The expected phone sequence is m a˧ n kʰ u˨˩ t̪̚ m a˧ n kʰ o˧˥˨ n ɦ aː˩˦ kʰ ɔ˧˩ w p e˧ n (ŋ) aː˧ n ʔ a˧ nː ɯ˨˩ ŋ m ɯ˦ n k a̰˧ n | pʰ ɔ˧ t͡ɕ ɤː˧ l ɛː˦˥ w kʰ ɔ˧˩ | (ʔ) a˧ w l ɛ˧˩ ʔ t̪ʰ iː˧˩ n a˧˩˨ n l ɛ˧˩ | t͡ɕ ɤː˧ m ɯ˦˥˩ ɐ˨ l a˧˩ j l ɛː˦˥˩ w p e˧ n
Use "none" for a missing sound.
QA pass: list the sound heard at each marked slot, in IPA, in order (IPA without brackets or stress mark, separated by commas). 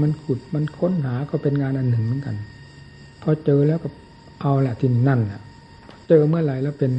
ŋ, ʔ